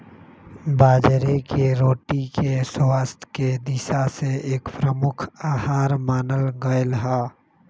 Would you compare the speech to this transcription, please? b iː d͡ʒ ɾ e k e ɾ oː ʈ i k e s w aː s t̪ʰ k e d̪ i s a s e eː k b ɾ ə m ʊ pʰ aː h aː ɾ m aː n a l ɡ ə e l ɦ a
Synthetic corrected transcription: b aː d͡ʒ ɾ e k e ɾ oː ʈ i k e s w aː s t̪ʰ k e d̪ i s a s e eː k p ɾ ə m ʊ kʰ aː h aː ɾ m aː n ə l ɡ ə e l ɦ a